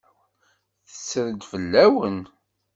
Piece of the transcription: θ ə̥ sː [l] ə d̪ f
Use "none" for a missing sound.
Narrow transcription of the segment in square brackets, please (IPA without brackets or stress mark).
ɾ